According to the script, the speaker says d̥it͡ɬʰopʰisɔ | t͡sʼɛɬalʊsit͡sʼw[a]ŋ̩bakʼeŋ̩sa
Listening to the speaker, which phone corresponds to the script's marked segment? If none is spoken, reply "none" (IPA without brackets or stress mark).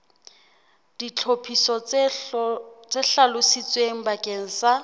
e